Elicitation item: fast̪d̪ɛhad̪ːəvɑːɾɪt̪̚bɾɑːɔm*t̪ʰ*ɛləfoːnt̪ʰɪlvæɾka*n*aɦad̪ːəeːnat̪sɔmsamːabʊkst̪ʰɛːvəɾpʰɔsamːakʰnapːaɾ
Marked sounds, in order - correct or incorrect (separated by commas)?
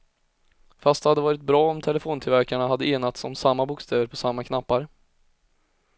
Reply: correct, incorrect